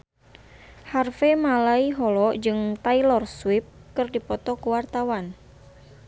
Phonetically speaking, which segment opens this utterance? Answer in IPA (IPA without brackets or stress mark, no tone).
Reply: h